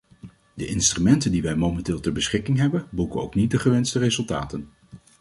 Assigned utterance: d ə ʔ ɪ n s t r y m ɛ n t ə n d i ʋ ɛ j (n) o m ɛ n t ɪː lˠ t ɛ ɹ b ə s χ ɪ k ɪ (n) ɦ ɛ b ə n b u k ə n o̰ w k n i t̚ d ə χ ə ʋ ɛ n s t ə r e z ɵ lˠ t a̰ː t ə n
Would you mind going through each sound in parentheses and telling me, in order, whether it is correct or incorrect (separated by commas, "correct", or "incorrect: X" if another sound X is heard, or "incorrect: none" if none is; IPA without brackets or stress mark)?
incorrect: m, incorrect: ŋ